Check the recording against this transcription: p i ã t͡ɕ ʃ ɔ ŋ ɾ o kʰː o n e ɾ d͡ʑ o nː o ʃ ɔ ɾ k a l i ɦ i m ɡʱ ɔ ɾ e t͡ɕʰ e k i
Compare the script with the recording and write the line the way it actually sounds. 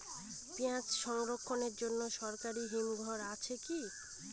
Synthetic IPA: p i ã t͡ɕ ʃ ɔ ŋ ɾ o kʰː o n e ɾ d͡ʑ o nː o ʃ ɔ ɾ k a ɾ i ɦ i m ɡʱ ɔ ɾ a t͡ɕʰ e k i